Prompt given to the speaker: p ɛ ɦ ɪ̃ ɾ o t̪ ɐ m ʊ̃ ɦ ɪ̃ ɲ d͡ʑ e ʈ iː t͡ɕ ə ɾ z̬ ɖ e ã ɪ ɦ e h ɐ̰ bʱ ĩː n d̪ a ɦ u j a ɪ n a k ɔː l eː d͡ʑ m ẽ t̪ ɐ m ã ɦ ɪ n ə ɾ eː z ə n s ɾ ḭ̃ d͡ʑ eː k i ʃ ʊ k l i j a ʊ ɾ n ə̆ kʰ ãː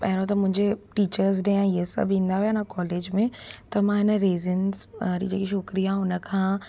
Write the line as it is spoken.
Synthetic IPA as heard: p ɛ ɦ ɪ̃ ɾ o t̪ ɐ m ʊ̃ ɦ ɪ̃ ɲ d͡ʑ e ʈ iː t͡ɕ ə ɾ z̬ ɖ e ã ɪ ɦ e s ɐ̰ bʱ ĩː n d̪ a ɦ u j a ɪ n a k ɔː l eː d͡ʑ m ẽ t̪ ɐ m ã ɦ ɪ n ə ɾ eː z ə n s ɾ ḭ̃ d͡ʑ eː k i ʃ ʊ k ɾ i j a ʊ n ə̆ kʰ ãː